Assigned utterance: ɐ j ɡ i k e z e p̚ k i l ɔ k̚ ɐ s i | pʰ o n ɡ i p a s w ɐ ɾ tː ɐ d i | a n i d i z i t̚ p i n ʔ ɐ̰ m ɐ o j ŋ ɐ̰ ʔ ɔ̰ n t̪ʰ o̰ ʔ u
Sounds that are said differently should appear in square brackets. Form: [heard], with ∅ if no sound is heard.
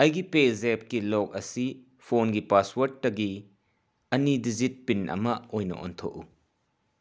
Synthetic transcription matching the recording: ɐ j ɡ i [p] e z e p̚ k i l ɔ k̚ ɐ s i | pʰ o n ɡ i p a s w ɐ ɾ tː ɐ [ɡ] i | [ɐ] n i d i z i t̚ p i n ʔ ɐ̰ m ɐ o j [n] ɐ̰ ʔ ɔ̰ n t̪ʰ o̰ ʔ u